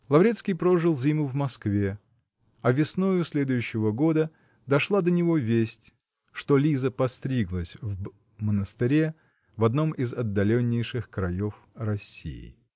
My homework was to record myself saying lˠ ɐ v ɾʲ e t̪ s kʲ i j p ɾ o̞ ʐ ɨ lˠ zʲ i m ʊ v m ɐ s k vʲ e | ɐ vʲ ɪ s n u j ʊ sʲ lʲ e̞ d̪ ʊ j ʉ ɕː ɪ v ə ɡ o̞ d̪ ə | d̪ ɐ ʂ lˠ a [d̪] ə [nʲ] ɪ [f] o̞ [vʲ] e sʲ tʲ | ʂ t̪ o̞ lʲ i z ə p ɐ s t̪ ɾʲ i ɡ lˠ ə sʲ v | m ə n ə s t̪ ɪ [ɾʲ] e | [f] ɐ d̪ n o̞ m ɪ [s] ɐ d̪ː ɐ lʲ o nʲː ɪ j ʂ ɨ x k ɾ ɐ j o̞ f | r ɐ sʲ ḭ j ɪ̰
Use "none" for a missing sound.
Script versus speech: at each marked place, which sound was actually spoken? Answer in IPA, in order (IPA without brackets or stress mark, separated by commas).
d̪, nʲ, v, vʲ, ɾʲ, v, z